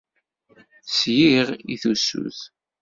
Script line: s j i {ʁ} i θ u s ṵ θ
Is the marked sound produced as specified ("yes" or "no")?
yes